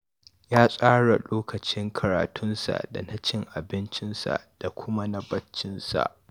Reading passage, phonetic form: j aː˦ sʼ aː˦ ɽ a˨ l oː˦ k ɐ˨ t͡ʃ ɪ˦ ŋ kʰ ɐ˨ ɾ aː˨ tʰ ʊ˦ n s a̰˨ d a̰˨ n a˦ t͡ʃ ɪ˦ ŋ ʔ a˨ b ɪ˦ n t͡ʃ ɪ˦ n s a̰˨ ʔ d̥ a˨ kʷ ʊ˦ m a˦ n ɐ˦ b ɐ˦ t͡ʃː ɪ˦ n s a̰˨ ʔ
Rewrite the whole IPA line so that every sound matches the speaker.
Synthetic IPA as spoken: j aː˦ sʼ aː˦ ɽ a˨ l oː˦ k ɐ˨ t͡ʃ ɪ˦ ŋ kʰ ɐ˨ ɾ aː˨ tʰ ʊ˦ n s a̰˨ d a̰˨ n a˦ t͡ʃ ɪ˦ ŋ ʔ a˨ b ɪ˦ n t͡ʃ ɪ˦ n s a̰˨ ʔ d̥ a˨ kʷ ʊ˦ m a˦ n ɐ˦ b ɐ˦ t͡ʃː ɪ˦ n s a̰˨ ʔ